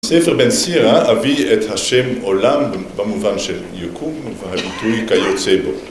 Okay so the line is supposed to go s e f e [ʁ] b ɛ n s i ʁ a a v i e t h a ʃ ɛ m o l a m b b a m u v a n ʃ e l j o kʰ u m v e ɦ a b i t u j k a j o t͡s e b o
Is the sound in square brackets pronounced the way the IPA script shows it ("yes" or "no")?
yes